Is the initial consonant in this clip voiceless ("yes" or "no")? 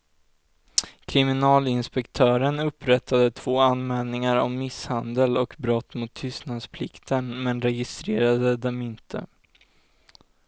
yes